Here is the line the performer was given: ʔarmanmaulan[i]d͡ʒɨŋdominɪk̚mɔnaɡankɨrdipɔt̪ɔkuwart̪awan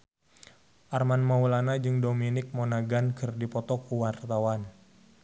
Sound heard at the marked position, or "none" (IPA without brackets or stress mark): a